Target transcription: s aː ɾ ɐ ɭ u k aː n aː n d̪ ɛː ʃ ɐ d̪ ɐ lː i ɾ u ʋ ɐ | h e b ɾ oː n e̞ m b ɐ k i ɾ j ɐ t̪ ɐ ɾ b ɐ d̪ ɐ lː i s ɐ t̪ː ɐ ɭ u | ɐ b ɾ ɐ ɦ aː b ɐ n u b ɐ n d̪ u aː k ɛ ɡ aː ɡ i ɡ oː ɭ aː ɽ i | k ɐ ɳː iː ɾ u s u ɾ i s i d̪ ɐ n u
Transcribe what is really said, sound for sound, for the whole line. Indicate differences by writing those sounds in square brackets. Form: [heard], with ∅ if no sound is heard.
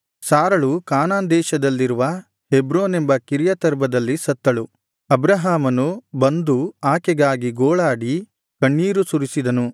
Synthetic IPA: s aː ɾ ɐ ɭ u k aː n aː n d̪ ɛː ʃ ɐ d̪ ɐ lː i ɾ u ʋ ɐ | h e b ɾ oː n e̞ m b ɐ k i ɾ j ɐ t̪ ɐ ɾ b ɐ d̪ ɐ lː i s ɐ t̪ː ɐ ɭ u | ɐ b ɾ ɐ ɦ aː [m] ɐ n u b ɐ n d̪ u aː k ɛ ɡ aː ɡ i ɡ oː ɭ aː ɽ i | k ɐ ɳː iː ɾ u s u ɾ i s i d̪ ɐ n u